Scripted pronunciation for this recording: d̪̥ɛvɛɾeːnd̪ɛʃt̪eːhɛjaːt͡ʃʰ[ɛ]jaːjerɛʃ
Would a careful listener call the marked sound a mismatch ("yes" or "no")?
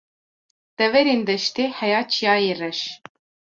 yes